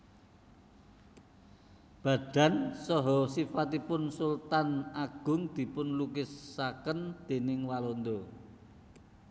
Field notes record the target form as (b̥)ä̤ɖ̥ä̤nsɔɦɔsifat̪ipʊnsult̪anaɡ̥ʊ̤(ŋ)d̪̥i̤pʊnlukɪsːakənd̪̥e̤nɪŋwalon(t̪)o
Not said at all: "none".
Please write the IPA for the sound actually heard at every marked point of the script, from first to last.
b̥, ŋ, d̪

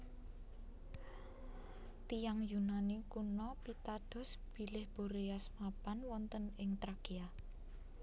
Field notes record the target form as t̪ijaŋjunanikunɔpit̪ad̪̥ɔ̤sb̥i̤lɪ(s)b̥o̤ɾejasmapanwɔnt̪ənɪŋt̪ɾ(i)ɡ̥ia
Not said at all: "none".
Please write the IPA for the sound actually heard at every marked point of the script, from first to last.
h, a

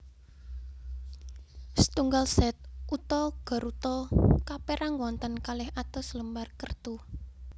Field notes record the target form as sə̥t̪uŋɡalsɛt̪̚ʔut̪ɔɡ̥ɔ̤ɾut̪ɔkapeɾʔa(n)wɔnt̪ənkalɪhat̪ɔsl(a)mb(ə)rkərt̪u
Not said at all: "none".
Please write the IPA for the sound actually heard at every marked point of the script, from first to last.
ŋ, ə, a

